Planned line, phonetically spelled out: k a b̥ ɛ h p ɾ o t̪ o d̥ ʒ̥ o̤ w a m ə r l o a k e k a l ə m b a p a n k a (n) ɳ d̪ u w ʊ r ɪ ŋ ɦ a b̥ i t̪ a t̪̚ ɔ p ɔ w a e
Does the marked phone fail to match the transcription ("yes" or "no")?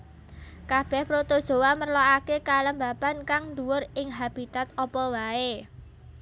yes